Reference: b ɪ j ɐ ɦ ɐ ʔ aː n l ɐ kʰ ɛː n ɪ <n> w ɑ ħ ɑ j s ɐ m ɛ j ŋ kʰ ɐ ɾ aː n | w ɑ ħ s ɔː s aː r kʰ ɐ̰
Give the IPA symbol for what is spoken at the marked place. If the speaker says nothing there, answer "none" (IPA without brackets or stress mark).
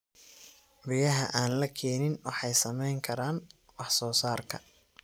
n